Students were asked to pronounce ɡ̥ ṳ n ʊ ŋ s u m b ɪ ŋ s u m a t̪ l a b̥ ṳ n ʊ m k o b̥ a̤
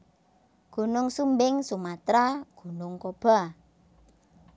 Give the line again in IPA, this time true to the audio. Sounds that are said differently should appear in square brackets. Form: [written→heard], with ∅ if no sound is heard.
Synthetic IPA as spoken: ɡ̥ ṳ n ʊ ŋ s u m b ɪ ŋ s u m a t̪ [l→ɾ] a [b̥→ɡ̥] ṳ n ʊ [m→ŋ] k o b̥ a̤